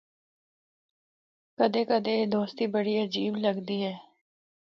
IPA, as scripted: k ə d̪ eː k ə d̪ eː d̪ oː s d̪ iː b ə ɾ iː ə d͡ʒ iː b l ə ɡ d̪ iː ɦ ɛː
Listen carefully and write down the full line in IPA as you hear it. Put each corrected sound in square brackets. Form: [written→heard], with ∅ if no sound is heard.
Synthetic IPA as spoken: k ə d̪ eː k ə d̪ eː d̪ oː s [d̪→t̪] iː b ə [ɾ→ɽ] iː ə d͡ʒ iː b l ə ɡ d̪ iː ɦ ɛː